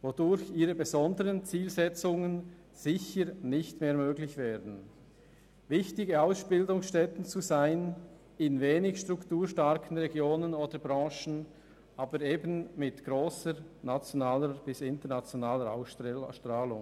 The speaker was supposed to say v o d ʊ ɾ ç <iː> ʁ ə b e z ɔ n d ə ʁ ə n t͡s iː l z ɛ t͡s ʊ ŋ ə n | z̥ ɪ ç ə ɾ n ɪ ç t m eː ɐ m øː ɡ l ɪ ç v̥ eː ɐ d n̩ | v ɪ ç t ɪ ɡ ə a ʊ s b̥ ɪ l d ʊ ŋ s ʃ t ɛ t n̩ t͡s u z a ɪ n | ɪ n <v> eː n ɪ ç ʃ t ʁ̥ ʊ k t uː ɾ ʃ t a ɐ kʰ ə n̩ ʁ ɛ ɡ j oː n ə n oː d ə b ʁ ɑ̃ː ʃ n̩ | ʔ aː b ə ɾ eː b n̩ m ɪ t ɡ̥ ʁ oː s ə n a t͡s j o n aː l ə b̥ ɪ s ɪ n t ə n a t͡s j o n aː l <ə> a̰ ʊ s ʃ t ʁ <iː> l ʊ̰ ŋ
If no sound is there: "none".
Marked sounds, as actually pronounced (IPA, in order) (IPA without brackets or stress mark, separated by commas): iː, v, ə, aː